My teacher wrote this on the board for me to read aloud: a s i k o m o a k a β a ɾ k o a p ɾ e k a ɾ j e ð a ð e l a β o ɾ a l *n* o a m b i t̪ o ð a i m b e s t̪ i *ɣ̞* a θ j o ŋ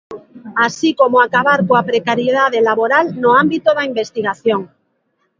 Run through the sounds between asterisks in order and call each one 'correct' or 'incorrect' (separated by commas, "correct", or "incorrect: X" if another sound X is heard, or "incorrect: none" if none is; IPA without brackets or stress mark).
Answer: correct, correct